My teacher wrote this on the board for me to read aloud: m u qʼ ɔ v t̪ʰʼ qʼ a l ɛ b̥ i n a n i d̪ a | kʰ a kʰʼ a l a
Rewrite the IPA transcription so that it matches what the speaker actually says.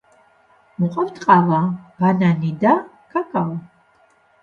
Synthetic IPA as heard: m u qʼ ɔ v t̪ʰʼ qʼ a l a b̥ a n a n i d̪ a | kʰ a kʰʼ a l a